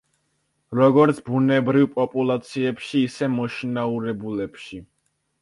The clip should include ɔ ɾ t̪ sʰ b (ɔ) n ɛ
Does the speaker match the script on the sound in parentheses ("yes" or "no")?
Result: no